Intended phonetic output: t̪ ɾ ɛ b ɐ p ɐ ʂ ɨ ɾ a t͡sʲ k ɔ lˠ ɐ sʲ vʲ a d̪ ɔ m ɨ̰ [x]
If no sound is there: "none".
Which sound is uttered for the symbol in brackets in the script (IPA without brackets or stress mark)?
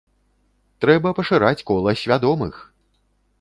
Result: x